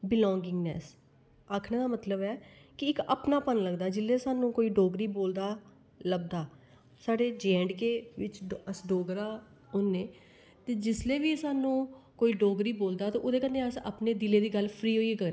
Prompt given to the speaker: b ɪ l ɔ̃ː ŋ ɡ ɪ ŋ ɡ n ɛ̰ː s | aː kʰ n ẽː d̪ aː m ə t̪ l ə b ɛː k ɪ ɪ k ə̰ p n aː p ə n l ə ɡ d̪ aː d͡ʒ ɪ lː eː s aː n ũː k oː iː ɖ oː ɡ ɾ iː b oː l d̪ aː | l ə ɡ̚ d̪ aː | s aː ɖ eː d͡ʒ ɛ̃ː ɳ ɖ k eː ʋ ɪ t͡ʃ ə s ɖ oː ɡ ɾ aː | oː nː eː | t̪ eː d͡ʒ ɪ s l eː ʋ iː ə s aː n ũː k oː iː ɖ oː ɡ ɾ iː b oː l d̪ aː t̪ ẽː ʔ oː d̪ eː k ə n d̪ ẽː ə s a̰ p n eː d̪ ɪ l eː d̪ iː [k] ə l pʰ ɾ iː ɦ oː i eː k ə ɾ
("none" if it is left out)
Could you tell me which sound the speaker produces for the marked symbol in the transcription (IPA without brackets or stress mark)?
ɡ